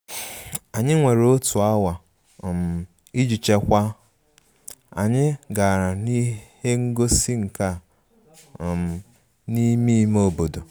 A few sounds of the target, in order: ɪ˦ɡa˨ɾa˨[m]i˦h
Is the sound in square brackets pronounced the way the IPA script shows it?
no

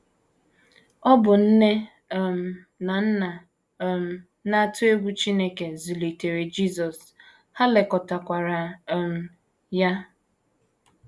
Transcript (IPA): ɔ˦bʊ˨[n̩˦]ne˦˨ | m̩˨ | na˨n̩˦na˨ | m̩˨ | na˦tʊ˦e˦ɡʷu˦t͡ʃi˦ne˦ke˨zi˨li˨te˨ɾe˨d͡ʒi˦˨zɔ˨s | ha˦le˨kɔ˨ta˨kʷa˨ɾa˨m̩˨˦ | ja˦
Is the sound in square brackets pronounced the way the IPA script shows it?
yes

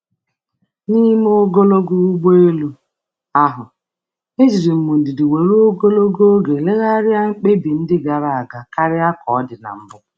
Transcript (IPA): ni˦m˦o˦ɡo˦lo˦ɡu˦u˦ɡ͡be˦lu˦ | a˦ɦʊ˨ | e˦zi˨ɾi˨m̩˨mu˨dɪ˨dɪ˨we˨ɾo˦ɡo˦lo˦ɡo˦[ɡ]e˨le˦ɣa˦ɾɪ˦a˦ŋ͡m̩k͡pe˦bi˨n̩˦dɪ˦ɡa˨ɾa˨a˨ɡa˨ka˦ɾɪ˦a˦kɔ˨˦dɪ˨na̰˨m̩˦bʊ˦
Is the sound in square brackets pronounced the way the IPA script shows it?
yes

